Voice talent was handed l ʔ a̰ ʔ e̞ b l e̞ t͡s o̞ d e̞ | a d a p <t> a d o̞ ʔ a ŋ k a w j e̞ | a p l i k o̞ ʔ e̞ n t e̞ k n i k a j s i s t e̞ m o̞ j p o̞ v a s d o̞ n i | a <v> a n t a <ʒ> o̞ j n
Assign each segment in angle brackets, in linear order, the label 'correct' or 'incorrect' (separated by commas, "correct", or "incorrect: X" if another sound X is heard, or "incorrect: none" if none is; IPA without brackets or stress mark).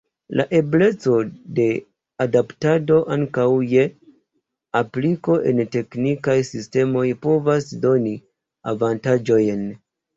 correct, correct, incorrect: d͡ʒ